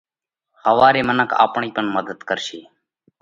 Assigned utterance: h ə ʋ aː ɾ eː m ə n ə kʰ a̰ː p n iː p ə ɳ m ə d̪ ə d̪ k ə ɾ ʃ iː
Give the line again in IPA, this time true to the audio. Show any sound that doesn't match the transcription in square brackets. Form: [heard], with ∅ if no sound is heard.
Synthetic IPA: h ə ʋ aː ɾ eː m ə n ə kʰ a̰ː p [ɳ] iː p ə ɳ m ə d̪ ə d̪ k ə ɾ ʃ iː

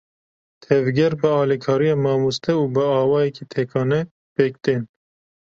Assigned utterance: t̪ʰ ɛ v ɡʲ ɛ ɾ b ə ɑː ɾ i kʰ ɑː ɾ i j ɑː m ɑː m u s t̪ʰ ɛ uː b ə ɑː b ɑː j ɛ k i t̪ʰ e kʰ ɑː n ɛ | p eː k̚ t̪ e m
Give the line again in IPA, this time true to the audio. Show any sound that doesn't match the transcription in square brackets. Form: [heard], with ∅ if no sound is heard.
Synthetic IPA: t̪ʰ ɛ v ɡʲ ɛ ɾ b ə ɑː [l] i kʰ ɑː ɾ i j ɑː m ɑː m u s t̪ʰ ɛ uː b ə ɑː [w] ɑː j ɛ k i t̪ʰ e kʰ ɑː n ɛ | p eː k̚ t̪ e [n]

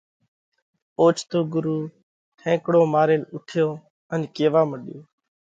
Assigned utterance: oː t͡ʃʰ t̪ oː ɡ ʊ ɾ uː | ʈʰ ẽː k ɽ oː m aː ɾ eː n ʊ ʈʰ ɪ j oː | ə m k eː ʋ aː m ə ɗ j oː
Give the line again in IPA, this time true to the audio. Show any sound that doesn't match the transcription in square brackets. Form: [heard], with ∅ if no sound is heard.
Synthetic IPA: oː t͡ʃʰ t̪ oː ɡ ʊ ɾ uː | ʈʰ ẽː k ɽ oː m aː ɾ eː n ʊ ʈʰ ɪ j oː | ə [n] k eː ʋ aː m ə ɗ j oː

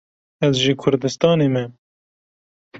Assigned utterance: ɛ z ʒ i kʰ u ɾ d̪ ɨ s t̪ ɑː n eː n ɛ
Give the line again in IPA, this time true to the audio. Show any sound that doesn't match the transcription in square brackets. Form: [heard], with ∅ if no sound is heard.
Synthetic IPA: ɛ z ʒ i kʰ [ʊ] ɾ d̪ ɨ s t̪ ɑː n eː [m] ɛ

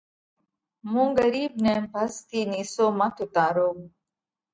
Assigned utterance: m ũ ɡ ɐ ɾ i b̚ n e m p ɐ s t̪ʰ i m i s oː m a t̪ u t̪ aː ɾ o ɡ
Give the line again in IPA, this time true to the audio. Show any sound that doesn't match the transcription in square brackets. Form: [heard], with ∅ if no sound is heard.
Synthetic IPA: m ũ ɡ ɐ ɾ i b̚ n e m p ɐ s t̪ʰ i [n] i s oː m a t̪ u t̪ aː ɾ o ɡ

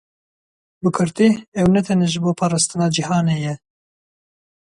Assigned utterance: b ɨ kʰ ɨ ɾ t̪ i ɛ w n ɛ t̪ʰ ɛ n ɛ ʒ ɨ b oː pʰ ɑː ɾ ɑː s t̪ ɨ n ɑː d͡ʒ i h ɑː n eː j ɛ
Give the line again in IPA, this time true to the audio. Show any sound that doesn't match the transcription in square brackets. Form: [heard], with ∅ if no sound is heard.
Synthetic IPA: b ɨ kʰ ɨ ɾ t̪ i ɛ w n ɛ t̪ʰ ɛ n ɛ ʒ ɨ b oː pʰ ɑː ɾ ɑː s t̪ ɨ n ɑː d͡ʒ i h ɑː n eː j ɛ

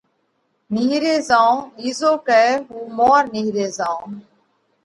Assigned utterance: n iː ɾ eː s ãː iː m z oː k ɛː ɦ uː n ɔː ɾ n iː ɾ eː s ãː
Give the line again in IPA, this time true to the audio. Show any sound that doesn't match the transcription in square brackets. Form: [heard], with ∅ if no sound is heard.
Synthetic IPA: n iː ɾ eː [z] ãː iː [∅] z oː k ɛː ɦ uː [m] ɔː ɾ n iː ɾ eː [z] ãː

